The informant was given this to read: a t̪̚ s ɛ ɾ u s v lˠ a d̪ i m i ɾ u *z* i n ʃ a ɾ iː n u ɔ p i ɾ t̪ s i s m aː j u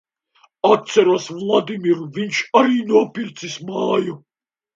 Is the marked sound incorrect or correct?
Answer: incorrect